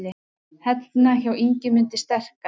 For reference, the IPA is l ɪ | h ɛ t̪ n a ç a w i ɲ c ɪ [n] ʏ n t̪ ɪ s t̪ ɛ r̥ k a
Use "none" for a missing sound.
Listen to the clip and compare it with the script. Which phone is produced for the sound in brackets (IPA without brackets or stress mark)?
m